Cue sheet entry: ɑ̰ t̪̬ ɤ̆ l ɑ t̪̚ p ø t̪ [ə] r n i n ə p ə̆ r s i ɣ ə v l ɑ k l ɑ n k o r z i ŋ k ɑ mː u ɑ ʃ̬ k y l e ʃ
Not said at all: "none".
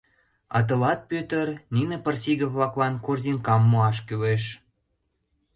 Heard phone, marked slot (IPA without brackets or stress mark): ə